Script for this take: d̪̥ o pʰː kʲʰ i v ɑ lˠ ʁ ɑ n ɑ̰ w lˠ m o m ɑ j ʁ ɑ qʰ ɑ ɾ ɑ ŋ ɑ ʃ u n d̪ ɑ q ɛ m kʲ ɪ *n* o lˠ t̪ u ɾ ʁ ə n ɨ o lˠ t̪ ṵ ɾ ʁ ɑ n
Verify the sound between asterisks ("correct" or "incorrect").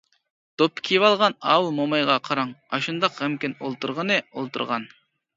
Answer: correct